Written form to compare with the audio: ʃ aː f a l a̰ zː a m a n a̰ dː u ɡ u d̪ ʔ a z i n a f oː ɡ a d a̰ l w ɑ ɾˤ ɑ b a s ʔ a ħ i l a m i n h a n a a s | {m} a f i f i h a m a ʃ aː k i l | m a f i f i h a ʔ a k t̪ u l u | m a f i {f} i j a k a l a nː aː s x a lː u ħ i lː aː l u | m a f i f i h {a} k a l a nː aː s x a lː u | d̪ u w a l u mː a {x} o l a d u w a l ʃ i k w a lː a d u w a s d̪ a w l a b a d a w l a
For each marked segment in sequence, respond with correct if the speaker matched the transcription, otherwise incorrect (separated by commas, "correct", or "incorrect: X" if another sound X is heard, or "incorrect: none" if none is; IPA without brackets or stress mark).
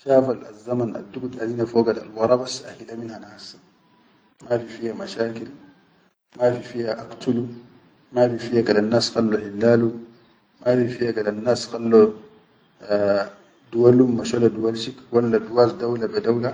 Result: correct, correct, correct, incorrect: ʃ